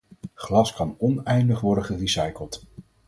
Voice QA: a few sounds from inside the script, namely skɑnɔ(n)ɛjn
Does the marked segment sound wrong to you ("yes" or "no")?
no